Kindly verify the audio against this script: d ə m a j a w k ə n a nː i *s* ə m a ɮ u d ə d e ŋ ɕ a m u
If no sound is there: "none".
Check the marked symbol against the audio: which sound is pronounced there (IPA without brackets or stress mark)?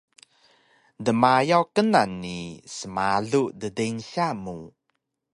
s